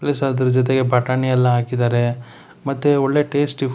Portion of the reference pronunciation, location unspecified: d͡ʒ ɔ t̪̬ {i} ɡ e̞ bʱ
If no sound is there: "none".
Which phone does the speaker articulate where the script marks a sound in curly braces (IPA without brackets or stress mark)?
e